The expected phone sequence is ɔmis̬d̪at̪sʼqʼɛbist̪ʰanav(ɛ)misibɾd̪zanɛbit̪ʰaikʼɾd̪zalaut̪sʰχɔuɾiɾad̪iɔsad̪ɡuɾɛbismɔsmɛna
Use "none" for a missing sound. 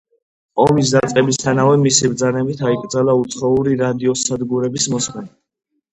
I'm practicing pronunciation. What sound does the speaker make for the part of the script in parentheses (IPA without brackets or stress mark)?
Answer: ɛ